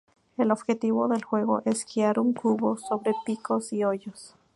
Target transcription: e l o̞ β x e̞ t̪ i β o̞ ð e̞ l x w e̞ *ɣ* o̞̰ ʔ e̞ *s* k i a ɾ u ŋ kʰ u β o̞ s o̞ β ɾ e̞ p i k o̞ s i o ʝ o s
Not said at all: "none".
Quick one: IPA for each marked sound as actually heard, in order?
ɣ, s

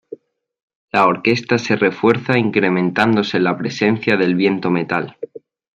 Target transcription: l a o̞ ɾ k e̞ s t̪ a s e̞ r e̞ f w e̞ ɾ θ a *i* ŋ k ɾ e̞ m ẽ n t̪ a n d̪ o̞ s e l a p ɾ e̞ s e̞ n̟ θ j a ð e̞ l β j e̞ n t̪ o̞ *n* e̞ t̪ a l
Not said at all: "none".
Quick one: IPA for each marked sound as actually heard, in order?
i, m

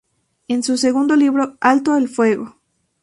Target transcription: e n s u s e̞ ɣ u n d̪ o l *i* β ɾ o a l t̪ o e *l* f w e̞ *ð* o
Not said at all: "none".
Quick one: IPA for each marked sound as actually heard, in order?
i, l, ɣ

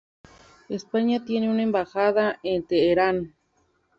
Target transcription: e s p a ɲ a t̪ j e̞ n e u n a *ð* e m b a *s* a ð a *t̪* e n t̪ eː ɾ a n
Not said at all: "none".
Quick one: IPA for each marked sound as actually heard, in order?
none, x, none

